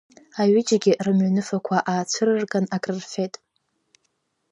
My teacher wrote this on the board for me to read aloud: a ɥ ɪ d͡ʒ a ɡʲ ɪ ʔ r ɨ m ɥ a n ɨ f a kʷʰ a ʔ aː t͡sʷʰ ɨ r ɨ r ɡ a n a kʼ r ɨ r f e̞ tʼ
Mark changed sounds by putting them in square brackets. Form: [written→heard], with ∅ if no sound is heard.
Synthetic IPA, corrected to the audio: a ɥ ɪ d͡ʒ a ɡʲ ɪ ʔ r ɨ m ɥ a n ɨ f a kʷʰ a ʔ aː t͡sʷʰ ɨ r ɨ r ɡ a n a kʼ r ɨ r f e̞ tʼ